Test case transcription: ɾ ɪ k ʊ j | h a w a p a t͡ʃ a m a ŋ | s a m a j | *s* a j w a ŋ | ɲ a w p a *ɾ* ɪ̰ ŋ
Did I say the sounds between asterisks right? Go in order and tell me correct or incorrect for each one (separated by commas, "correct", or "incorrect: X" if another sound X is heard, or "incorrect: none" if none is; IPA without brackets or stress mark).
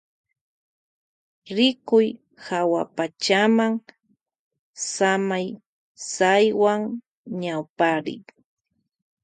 correct, correct